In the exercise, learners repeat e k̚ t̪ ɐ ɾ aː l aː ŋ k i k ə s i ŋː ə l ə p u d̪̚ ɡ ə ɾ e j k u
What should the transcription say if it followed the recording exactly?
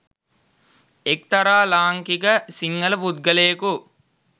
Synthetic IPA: e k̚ t̪ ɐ ɾ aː l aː ŋ k i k ə s i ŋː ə l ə p u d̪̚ ɡ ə l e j k u